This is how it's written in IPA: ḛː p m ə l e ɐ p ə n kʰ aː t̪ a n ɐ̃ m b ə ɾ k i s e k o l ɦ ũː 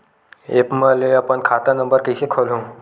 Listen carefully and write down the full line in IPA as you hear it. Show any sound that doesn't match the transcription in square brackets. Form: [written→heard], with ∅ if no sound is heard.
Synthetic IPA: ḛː p m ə l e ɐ p ə n kʰ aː t̪ a n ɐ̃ m b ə ɾ k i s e [k→kʰ] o l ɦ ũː